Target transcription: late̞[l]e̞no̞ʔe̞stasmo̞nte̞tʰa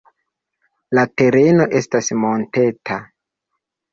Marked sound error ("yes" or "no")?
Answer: yes